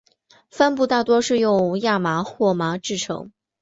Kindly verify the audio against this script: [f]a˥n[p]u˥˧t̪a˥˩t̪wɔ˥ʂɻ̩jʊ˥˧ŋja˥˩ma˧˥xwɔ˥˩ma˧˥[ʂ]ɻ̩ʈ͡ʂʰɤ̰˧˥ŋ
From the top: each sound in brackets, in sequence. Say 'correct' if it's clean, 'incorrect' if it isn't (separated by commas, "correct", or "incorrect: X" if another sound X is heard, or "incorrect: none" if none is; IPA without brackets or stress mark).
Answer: correct, correct, incorrect: ʈ͡ʂ